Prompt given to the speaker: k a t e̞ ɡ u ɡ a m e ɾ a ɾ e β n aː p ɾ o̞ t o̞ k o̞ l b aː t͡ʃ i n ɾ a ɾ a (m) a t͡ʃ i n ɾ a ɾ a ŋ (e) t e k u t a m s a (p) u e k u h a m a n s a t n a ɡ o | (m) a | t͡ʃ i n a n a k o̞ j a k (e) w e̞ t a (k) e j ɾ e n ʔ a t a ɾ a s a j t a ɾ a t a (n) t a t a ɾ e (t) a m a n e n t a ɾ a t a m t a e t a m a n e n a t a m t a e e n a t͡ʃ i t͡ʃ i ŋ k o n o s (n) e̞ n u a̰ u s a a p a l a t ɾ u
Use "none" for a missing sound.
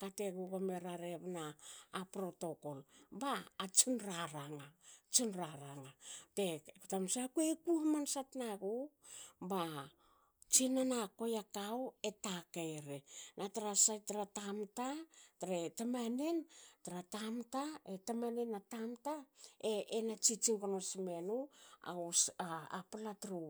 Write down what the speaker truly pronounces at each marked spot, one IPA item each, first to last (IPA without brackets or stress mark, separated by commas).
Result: ŋ, a, k, b, a, k, m, t, m